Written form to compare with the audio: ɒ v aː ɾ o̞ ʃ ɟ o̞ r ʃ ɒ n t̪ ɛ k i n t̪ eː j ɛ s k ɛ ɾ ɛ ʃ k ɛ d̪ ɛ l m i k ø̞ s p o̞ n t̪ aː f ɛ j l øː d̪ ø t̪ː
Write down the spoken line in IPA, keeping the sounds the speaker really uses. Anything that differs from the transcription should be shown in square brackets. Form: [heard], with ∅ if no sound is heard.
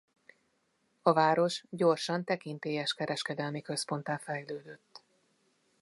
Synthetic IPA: ɒ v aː ɾ o̞ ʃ ɟ o̞ r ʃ ɒ n t̪ ɛ k i n t̪ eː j ɛ [ʃ] k ɛ ɾ ɛ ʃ k ɛ d̪ ɛ l m i k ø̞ s p o̞ n t̪ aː f ɛ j l øː d̪ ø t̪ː